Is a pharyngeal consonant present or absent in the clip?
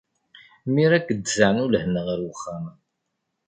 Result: present